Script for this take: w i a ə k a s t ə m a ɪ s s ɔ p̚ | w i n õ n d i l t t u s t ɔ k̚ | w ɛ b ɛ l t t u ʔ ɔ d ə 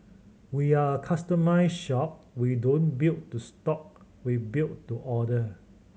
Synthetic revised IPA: w i a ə kʰ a s t ə m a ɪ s ʃ ɔ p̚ | w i d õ n b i l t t u s t ɔ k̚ | w i b i l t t u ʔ ɔ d ə